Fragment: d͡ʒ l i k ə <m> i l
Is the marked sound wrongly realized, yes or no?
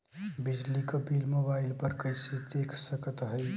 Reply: yes